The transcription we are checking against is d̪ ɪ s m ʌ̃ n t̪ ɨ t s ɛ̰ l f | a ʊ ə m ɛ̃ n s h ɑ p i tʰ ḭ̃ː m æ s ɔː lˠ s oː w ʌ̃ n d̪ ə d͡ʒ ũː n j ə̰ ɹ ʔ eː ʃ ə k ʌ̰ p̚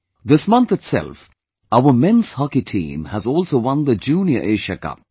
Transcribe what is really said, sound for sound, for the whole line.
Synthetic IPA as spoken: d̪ ɪ s m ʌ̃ n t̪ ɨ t s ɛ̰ l f | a ʊ ə m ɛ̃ n s h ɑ k i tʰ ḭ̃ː m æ z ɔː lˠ s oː w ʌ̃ n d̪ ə d͡ʒ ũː n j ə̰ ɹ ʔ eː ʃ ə k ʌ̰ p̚